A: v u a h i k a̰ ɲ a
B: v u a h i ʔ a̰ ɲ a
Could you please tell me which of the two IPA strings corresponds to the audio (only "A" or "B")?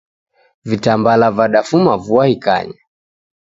A